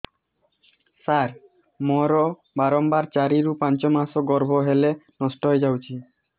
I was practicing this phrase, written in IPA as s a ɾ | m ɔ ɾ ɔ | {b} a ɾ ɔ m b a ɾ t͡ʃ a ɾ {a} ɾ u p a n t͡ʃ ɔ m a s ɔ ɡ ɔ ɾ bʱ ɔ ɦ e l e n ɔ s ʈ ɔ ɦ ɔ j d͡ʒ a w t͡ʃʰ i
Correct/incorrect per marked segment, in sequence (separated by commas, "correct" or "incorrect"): correct, incorrect